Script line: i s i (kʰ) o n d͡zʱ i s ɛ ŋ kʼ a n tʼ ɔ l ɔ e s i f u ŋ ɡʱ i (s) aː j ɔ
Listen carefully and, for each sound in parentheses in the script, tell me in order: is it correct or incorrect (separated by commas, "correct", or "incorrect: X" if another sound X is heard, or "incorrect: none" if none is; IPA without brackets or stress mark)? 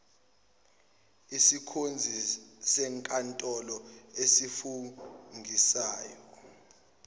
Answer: correct, correct